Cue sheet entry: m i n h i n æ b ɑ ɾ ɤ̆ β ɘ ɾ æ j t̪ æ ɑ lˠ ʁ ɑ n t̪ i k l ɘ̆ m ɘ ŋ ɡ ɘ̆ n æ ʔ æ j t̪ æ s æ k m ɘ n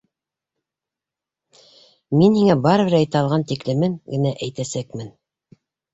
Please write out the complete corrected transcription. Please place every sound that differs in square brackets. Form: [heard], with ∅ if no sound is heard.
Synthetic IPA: m i n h i [ŋ] æ b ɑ ɾ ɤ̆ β ɘ ɾ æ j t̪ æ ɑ lˠ ʁ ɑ n t̪ i k l ɘ̆ m ɘ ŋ ɡ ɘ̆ n æ ʔ æ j t̪ æ s æ k m ɘ n